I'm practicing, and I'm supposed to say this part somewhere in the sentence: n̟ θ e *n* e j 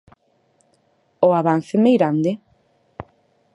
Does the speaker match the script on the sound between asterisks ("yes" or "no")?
no